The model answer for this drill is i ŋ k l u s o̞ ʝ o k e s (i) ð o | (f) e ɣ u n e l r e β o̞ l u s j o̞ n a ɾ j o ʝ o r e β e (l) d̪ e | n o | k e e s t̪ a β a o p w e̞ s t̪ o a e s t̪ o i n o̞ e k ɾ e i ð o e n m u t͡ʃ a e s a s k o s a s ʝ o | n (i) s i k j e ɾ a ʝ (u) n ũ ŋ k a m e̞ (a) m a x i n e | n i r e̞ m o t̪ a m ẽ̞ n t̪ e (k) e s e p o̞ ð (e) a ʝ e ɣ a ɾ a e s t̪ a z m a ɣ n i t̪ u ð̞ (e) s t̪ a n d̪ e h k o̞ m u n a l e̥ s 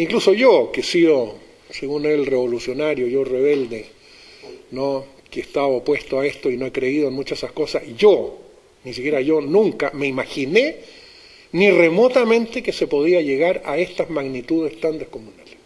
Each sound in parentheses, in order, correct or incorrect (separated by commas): correct, incorrect, correct, correct, incorrect, incorrect, correct, incorrect, correct